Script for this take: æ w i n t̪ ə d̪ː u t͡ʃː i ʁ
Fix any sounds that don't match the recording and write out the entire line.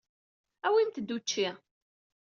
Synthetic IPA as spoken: æ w i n t̪ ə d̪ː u t͡ʃː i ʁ